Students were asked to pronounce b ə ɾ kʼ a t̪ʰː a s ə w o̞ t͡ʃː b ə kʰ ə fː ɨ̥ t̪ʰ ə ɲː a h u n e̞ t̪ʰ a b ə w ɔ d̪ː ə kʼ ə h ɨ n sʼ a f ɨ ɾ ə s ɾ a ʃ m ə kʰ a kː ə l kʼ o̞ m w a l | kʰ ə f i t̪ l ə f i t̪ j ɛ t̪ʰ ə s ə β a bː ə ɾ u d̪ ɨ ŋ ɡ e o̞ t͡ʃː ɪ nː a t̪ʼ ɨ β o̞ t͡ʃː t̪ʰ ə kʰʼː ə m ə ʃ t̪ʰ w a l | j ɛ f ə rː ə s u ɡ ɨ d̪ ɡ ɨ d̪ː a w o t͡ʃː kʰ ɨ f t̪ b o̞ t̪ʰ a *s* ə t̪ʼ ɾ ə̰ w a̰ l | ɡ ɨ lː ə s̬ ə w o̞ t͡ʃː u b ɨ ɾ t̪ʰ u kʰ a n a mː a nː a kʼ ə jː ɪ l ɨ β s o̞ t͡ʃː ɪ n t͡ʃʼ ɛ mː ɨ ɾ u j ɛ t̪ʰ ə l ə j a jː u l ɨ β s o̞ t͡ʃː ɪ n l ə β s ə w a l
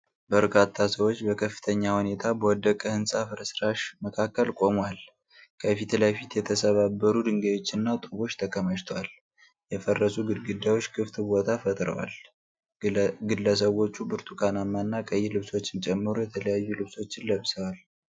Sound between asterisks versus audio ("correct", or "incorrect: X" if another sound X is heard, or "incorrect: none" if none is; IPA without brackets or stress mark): incorrect: f